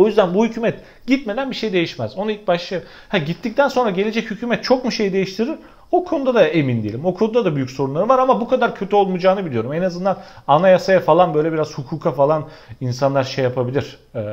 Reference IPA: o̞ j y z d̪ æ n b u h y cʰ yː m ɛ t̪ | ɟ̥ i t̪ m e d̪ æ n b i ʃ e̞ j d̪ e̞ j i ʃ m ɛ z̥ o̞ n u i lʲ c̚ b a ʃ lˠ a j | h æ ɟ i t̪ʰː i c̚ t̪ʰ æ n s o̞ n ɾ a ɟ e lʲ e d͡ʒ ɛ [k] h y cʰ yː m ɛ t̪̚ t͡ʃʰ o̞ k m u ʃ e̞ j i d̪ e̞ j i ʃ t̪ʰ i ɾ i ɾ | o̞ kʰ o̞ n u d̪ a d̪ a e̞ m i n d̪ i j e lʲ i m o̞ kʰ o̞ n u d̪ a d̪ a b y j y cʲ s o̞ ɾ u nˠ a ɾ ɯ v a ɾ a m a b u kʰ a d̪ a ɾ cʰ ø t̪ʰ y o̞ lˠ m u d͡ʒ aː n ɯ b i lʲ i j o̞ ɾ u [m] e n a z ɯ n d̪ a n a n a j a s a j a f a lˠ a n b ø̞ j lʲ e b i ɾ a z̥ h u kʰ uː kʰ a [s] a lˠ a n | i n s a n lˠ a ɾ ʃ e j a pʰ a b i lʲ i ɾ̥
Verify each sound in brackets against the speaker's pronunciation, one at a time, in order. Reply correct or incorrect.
incorrect, correct, incorrect

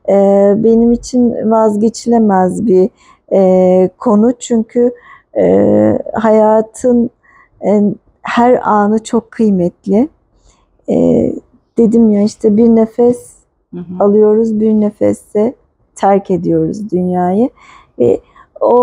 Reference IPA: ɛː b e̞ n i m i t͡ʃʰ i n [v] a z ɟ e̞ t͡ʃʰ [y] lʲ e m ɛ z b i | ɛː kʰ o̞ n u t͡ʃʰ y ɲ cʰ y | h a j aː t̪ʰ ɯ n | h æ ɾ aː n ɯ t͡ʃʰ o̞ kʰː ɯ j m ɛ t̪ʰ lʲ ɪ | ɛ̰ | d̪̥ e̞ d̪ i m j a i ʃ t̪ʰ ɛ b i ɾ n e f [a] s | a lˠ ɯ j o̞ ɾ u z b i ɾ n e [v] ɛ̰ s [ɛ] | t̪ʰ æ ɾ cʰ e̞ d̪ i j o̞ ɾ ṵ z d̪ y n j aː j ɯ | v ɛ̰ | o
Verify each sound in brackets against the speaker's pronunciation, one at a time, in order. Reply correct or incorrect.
correct, incorrect, incorrect, incorrect, correct

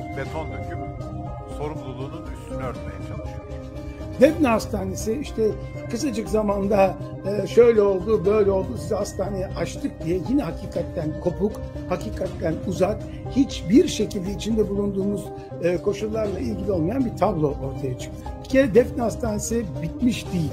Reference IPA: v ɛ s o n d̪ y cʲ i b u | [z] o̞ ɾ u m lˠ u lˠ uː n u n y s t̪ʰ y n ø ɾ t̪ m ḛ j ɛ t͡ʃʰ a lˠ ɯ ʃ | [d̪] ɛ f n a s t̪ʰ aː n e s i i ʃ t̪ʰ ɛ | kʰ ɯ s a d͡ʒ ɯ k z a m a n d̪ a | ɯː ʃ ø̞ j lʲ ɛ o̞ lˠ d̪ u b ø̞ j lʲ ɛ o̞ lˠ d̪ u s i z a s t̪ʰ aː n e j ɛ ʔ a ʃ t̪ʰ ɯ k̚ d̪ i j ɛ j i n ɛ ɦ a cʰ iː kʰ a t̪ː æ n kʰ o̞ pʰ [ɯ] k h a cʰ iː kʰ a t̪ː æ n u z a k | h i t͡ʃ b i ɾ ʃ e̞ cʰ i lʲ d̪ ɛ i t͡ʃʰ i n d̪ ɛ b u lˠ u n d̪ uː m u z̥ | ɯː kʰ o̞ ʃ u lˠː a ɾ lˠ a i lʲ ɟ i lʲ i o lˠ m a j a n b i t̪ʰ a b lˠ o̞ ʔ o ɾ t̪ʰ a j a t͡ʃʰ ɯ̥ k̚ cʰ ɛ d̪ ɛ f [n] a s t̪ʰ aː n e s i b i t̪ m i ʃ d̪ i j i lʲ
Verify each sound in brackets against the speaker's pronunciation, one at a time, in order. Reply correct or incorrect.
incorrect, correct, incorrect, correct

